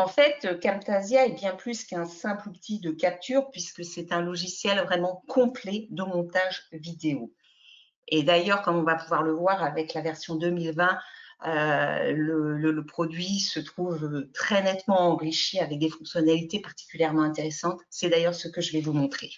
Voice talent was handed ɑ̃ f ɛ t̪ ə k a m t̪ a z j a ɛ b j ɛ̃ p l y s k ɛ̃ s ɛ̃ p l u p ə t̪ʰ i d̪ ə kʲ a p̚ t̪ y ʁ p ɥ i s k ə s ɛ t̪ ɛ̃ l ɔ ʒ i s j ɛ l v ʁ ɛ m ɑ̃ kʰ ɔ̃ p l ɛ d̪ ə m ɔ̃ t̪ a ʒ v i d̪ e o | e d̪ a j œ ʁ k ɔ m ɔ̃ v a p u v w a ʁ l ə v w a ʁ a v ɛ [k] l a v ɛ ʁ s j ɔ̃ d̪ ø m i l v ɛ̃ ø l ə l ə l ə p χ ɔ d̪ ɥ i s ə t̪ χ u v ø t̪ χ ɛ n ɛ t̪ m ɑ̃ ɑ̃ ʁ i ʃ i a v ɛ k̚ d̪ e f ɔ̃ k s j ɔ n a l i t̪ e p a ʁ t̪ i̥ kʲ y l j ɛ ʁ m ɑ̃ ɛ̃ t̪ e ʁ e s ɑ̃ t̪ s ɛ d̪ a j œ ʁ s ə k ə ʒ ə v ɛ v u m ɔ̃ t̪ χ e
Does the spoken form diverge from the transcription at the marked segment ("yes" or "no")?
no